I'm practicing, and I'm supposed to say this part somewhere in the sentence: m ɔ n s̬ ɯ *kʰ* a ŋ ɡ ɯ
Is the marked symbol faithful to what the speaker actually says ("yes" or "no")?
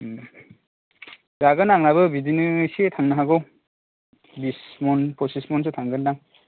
no